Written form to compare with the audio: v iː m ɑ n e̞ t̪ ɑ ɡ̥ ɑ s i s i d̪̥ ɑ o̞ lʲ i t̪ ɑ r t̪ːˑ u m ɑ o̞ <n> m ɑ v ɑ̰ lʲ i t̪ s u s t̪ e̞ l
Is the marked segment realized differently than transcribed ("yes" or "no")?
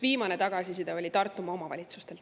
yes